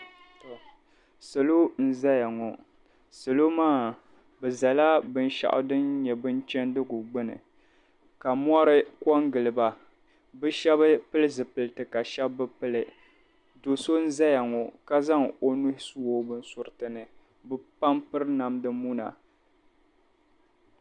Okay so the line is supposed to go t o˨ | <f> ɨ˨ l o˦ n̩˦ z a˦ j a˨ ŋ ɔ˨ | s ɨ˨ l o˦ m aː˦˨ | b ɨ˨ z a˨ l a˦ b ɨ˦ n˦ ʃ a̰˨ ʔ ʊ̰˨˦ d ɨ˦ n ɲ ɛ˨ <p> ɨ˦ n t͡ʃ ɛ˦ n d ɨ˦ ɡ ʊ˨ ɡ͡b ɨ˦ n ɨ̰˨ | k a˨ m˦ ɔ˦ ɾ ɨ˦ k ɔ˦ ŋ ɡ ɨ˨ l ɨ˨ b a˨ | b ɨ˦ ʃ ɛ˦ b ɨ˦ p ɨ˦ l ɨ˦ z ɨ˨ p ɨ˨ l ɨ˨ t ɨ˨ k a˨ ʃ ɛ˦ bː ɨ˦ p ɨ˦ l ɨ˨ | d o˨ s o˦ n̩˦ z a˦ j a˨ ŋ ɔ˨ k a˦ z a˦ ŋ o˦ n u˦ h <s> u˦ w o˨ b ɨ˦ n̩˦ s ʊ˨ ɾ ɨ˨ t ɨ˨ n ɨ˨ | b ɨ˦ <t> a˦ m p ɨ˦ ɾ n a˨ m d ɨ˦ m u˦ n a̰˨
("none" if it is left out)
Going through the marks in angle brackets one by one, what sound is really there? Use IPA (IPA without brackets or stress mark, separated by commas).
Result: s, b, s, p